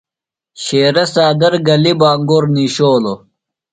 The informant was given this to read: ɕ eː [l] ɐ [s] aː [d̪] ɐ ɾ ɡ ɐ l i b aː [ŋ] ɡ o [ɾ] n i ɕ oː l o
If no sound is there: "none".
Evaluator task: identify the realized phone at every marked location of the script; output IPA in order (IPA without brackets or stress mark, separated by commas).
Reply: ɾ, s, d̪, ŋ, ɾ